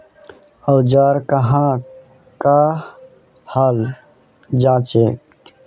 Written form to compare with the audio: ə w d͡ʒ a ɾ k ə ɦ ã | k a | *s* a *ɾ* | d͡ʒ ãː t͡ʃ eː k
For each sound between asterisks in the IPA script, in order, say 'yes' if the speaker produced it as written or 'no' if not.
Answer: no, no

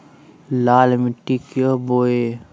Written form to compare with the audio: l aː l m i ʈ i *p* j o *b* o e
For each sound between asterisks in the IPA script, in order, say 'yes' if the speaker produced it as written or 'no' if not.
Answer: no, yes

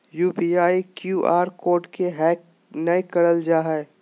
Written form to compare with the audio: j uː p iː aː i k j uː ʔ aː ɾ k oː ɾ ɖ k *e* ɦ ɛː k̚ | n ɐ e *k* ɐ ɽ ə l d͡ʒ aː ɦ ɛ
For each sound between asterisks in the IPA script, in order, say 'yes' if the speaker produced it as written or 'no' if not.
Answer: yes, yes

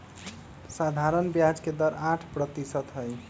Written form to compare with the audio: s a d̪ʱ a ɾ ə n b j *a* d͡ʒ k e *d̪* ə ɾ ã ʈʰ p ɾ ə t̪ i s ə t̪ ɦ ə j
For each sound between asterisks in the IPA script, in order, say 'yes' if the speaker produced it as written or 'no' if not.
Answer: yes, yes

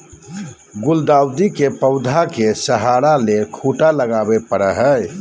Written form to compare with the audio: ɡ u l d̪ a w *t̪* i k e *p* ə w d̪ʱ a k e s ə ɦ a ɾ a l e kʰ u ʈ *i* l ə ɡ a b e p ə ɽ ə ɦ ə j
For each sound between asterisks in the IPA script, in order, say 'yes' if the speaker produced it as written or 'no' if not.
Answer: no, yes, no

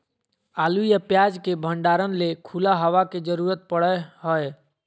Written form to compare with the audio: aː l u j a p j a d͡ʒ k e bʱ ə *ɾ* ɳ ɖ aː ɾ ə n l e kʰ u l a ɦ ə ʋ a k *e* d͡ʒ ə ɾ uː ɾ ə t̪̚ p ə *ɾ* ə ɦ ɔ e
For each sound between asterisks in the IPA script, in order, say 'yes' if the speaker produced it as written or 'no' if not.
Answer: no, yes, no

